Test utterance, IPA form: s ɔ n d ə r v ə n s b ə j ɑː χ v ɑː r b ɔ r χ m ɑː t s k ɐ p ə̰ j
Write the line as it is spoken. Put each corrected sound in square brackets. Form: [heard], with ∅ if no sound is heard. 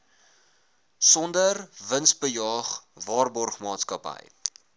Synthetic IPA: s ɔ n d ə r v ə n s b ə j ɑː χ v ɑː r b ɔ r χ m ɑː t s k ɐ p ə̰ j